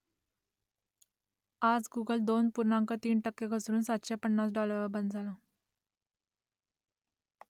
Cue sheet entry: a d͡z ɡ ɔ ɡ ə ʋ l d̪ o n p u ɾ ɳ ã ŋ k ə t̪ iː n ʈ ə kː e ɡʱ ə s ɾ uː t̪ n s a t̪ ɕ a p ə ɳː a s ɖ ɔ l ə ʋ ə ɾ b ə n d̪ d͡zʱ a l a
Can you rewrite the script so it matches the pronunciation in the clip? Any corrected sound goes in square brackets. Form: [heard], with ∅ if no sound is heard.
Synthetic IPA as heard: a d͡z ɡ [u] ɡ ə [∅] l d̪ o n p u ɾ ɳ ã ŋ k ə t̪ iː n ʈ ə kː e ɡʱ ə s ɾ uː [∅] n s a t̪ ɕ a p ə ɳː a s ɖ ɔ l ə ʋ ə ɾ b ə n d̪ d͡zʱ a l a